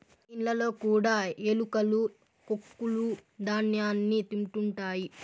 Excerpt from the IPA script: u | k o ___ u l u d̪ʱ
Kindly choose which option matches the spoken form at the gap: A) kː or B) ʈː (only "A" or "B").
A